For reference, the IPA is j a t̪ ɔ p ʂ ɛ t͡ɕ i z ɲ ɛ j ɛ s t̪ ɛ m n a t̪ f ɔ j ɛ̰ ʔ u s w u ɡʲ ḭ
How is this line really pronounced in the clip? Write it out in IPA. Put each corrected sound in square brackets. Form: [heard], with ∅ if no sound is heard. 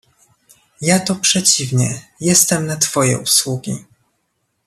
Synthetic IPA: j a t̪ ɔ p ʂ ɛ t͡ɕ i [v] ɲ ɛ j ɛ s t̪ ɛ m n a t̪ f ɔ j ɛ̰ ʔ u s w u ɡʲ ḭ